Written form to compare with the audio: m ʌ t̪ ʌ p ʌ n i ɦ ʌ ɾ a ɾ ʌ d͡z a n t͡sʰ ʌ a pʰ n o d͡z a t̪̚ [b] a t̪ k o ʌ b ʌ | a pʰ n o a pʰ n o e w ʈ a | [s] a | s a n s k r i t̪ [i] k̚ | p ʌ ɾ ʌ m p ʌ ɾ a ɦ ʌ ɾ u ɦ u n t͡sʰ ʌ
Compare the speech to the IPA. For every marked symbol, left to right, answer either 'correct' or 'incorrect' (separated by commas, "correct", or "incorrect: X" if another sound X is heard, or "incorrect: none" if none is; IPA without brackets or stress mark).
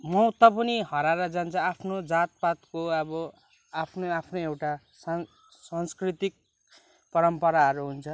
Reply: incorrect: p, correct, correct